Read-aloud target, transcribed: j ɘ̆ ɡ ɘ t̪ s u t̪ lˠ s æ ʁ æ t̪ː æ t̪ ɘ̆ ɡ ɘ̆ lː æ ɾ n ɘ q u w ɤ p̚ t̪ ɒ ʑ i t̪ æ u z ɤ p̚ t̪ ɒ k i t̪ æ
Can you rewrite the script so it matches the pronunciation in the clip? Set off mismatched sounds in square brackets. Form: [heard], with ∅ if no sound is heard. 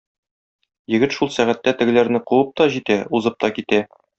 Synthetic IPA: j ɘ̆ ɡ ɘ t̪ [ʃ] u [∅] lˠ s æ ʁ æ t̪ː æ t̪ ɘ̆ ɡ ɘ̆ [l] æ ɾ n ɘ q u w ɤ p̚ t̪ ɒ ʑ i t̪ æ u z ɤ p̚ t̪ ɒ k i t̪ æ